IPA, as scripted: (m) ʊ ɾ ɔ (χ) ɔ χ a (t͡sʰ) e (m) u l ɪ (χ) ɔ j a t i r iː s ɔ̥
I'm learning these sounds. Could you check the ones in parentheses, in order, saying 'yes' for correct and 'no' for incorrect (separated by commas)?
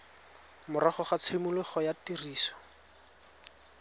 yes, yes, yes, yes, yes